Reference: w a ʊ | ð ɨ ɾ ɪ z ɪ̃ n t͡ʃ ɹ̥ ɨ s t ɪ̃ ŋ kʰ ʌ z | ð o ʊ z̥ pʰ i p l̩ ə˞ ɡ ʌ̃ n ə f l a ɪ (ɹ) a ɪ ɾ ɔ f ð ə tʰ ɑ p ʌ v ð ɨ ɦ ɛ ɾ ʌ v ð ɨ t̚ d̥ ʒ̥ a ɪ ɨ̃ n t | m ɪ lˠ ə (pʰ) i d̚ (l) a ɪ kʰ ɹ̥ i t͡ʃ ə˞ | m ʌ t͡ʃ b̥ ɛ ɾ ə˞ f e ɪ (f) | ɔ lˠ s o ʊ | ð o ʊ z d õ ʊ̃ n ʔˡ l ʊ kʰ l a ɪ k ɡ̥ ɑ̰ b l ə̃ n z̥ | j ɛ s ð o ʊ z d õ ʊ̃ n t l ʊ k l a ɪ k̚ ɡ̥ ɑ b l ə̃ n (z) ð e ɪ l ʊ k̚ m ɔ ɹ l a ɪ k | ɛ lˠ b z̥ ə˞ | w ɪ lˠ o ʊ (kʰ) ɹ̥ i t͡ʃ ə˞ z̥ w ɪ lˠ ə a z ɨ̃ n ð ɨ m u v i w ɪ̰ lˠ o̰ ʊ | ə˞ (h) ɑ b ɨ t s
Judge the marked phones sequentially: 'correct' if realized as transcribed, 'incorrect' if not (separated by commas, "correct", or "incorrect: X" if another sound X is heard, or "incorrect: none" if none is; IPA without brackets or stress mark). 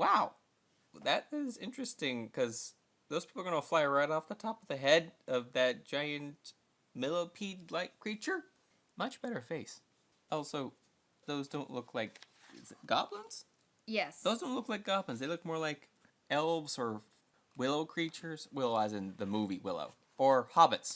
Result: correct, correct, correct, incorrect: s, correct, correct, correct